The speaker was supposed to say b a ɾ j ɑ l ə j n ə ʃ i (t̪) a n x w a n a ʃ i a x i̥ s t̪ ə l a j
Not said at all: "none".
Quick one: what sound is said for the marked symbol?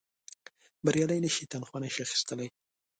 t̪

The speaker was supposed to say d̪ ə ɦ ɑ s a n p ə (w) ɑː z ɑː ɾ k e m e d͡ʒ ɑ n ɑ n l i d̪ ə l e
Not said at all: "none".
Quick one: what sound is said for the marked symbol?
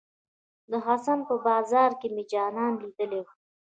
b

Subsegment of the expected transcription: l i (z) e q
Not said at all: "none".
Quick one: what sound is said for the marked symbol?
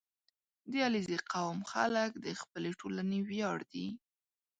z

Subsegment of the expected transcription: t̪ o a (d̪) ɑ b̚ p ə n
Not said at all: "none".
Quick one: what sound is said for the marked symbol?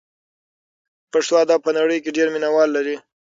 d̪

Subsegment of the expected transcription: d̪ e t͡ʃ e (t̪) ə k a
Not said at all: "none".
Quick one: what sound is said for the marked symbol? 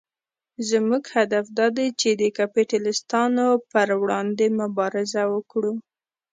d̪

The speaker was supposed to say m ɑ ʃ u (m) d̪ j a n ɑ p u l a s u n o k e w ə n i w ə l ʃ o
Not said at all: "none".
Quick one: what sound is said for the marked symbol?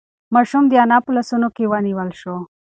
m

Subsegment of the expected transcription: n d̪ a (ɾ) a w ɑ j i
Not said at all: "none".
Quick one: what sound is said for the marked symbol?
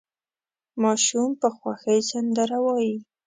ɾ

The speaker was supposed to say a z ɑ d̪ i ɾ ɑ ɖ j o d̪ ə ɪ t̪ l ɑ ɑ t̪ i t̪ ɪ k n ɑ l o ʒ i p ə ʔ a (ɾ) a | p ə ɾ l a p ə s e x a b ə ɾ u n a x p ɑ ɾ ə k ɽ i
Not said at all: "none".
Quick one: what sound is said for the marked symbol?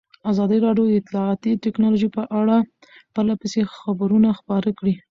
ɽ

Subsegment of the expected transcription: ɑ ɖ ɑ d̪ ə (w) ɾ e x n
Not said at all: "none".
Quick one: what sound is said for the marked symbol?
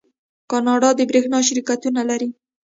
b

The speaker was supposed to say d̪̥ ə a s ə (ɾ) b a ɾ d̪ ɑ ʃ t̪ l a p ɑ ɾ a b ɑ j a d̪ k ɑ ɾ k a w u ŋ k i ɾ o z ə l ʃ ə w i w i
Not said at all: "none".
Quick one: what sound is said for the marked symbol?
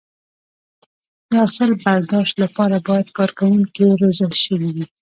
l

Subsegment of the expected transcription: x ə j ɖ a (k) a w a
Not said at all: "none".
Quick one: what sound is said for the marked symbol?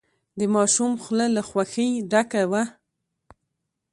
k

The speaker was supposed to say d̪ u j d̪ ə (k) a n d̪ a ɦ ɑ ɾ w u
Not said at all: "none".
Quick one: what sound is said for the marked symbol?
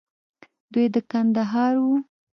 k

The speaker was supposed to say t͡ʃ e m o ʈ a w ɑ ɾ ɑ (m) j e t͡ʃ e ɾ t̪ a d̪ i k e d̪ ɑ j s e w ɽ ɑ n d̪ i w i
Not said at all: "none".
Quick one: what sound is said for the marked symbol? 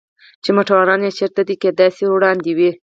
n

